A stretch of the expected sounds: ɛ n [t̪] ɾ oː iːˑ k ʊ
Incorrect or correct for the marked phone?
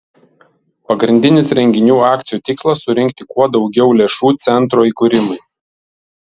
correct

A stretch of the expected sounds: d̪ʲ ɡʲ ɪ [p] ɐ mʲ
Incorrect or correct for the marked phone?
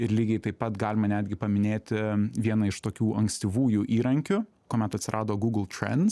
correct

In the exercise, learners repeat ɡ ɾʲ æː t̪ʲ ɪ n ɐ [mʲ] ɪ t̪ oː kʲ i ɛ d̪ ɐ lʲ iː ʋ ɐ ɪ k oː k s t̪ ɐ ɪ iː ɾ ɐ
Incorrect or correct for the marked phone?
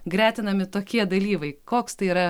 correct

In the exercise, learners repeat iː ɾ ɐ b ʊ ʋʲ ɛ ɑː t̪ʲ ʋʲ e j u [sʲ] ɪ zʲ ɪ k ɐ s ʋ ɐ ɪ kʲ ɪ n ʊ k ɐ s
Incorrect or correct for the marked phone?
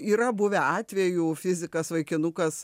incorrect: fʲ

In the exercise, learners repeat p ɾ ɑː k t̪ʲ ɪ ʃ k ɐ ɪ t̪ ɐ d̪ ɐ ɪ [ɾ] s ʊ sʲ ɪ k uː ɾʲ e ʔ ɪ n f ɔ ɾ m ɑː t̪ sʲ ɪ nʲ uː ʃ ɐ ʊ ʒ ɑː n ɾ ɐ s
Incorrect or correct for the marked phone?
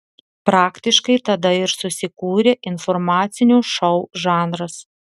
correct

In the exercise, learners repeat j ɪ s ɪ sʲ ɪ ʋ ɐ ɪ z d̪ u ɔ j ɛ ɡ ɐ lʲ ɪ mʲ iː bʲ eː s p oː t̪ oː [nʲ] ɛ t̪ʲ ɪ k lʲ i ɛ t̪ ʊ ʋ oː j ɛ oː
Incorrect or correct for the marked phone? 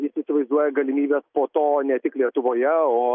correct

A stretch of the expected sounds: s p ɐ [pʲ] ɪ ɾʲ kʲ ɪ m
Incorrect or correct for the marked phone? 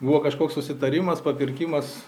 correct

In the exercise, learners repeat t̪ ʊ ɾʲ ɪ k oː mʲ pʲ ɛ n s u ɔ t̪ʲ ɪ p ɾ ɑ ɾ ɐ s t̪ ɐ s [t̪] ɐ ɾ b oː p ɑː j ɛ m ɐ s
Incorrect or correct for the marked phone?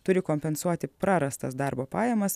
incorrect: d̪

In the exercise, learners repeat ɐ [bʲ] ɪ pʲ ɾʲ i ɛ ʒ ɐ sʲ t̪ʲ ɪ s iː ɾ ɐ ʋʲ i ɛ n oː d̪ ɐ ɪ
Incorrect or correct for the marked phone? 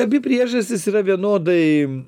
correct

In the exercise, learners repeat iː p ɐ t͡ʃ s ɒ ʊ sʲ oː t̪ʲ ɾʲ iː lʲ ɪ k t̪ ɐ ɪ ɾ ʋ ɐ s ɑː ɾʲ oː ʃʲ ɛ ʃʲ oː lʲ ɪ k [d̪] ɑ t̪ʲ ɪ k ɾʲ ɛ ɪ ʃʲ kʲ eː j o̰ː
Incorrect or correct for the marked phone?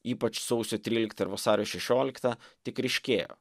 incorrect: t̪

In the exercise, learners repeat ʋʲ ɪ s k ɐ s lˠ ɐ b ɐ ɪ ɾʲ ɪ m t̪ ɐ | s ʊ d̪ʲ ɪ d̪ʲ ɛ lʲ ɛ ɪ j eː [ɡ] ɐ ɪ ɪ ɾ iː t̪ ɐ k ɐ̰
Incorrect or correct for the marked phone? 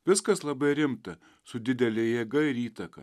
correct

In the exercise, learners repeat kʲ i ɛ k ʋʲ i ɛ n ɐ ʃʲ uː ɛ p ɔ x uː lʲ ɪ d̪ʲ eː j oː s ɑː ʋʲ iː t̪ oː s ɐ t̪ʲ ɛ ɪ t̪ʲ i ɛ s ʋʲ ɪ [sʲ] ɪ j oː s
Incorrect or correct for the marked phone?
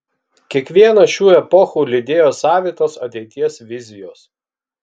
incorrect: zʲ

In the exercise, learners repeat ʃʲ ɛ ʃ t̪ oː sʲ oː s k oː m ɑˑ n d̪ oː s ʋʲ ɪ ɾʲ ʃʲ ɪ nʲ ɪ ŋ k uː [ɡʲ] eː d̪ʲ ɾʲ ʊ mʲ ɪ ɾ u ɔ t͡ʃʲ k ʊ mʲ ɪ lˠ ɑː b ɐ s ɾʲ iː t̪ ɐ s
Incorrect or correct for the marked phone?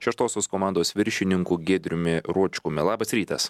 correct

